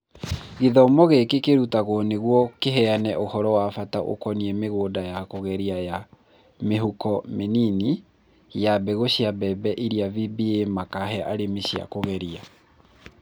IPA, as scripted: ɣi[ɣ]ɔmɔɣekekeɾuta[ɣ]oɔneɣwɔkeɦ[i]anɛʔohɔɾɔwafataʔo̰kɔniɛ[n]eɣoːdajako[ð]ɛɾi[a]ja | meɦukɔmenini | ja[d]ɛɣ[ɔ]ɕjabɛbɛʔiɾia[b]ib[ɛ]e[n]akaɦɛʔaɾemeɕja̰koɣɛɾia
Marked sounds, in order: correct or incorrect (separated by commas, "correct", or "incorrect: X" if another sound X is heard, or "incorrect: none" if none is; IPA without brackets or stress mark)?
incorrect: ð, correct, incorrect: ɛ, incorrect: m, incorrect: ɣ, correct, incorrect: b, incorrect: o, incorrect: v, incorrect: i, incorrect: m